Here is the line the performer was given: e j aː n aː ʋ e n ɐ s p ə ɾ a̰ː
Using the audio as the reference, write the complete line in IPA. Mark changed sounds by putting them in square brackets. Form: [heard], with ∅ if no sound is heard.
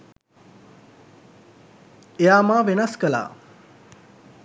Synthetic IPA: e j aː [m] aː ʋ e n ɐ s [k] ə [l] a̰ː

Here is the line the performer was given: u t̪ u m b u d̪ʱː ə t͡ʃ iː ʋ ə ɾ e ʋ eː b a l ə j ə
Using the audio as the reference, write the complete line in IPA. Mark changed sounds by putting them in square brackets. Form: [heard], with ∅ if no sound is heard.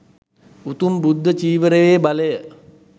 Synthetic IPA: u t̪ u m b u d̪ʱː ə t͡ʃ iː ʋ ə ɾ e ʋ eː b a l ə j ə

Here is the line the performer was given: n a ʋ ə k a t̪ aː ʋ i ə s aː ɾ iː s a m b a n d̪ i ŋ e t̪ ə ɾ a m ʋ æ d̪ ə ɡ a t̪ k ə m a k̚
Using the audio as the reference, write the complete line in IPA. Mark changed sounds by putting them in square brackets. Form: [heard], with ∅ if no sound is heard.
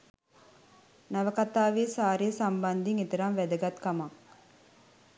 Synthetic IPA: n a ʋ ə k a t̪ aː ʋ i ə s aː ɾ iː s a m b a n d̪ i ŋ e t̪ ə ɾ a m ʋ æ d̪ ə ɡ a t̪ k [a] m a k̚

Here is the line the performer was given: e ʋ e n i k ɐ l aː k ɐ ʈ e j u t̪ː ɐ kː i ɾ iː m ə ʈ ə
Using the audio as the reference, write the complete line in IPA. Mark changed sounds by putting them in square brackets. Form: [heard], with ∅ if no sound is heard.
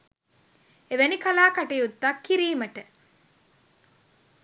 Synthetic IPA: e ʋ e n i k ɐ l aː k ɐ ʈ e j u t̪ː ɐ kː i ɾ iː m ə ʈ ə

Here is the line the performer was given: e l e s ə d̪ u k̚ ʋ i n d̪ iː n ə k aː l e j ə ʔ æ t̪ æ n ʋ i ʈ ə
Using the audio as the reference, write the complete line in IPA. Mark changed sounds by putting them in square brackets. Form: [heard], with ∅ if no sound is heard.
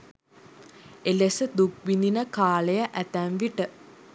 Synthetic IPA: e l e s ə d̪ u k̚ ʋ i n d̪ [i] n ə k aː l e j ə ʔ æ t̪ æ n ʋ i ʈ ə

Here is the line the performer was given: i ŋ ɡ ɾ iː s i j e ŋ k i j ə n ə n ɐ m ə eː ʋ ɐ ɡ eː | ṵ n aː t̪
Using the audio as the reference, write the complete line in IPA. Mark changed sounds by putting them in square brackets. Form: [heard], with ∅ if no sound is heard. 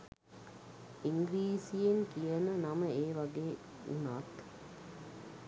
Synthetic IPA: i ŋ ɡ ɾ iː s i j e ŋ k i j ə n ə n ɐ m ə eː ʋ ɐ ɡ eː | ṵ n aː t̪

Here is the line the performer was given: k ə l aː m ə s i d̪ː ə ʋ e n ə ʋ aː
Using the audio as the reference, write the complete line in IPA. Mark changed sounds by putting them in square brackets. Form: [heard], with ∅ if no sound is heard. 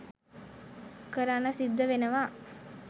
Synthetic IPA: k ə [ɾ] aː [n] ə s i d̪ː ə ʋ e n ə ʋ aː

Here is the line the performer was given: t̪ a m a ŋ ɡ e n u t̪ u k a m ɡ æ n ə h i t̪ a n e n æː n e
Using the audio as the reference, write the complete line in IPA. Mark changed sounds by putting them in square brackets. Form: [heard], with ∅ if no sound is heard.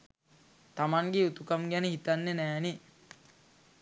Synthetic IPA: t̪ a m a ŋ ɡ e [∅] u t̪ u k a m ɡ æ n ə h i t̪ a [nː] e n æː n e

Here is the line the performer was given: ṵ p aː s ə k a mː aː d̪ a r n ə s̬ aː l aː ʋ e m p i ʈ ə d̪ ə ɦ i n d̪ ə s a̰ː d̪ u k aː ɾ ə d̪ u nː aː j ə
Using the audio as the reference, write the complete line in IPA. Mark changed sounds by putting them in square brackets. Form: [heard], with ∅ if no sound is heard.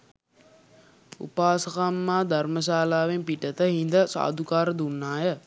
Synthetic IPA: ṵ p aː s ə k a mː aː d̪ a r [m] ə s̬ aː l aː ʋ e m p i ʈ ə [t̪] ə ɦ i n d̪ ə s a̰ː d̪ u k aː ɾ ə d̪ u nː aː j ə

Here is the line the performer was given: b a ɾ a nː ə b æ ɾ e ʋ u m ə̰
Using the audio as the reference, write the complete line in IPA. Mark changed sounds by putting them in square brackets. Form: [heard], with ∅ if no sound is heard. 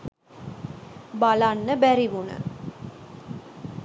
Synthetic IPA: b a [l] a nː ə b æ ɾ [i] ʋ u [n] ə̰

